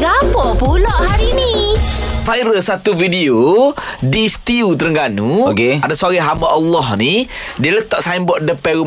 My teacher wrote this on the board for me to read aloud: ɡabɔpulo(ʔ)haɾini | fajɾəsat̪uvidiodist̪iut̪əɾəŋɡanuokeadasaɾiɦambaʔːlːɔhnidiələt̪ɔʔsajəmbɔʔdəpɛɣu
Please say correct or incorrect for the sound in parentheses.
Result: correct